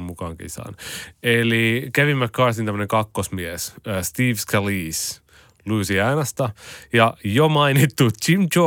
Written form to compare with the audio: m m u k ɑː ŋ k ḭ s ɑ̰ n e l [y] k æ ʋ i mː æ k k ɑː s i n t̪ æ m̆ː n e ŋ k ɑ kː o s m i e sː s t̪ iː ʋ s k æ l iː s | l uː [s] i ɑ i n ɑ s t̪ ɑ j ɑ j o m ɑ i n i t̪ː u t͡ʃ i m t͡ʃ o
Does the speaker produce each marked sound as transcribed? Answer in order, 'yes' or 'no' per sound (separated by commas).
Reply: no, yes